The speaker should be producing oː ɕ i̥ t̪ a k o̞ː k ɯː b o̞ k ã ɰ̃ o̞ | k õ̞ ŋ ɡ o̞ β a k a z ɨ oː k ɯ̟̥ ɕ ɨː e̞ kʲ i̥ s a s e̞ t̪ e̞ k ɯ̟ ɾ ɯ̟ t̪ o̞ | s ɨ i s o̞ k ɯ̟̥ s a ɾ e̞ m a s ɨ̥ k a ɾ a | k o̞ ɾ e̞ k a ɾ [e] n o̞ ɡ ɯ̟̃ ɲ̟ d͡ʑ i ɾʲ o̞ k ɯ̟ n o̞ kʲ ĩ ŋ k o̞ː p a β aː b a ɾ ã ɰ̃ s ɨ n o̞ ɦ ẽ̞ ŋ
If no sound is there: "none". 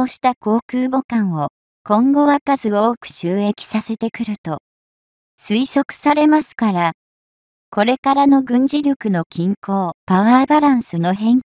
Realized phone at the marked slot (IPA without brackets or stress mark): a